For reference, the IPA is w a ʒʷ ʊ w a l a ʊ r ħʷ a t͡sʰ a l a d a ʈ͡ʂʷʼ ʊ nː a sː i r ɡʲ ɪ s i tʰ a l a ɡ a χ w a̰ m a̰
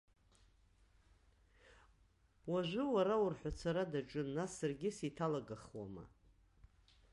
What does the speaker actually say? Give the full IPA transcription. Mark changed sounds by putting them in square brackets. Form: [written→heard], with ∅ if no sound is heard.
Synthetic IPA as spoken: w a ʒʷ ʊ w a [l→ɾ] a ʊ r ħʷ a t͡sʰ a [l→ɾ] a d a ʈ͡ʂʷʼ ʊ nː a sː [i→a] r ɡʲ ɪ s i tʰ a l a ɡ a χ w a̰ m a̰